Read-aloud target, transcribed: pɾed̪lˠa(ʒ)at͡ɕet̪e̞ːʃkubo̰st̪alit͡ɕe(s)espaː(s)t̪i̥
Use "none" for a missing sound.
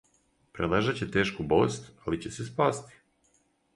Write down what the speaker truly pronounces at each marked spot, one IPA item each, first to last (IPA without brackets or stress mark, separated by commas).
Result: ʒ, s, s